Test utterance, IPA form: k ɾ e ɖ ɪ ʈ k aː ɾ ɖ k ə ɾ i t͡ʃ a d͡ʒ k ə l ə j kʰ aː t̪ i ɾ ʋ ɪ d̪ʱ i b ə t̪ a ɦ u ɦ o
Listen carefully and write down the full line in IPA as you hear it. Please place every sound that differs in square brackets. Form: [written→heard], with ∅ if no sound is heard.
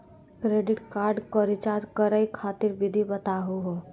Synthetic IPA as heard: k ɾ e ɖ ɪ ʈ k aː ɾ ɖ k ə ɾ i t͡ʃ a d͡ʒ k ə [l→ɾ] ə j kʰ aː t̪ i ɾ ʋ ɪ d̪ʱ i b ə t̪ a ɦ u ɦ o